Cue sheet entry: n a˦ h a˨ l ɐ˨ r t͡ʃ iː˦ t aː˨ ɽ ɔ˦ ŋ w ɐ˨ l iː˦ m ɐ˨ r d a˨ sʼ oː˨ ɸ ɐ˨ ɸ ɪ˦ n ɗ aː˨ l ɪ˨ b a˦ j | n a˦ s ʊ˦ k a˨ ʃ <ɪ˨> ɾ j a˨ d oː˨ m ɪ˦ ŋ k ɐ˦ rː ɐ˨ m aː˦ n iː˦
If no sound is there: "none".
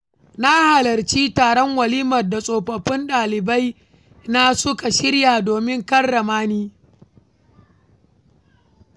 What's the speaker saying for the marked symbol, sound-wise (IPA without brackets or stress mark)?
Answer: ɪ˦